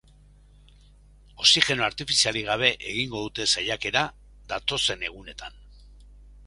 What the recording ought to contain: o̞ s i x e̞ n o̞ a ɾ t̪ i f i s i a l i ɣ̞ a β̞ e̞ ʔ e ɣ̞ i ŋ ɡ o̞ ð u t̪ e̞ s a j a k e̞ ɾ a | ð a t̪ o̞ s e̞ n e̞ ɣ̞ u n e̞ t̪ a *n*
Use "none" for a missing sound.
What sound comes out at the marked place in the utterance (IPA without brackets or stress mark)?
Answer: n